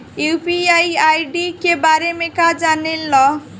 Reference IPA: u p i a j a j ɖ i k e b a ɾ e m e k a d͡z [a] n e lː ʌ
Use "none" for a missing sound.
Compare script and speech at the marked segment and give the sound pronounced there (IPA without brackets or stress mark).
a